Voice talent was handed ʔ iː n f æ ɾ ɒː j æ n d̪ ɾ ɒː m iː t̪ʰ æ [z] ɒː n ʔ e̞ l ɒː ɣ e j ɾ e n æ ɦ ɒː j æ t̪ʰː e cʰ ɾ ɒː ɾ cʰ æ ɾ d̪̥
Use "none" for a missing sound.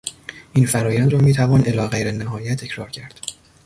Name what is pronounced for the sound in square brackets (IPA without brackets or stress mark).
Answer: v